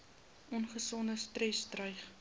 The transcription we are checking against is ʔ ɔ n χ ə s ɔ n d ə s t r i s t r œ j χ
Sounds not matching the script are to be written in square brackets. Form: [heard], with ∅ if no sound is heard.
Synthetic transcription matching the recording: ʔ ɔ n χ ə s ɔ n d ə s t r [ɛ] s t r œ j χ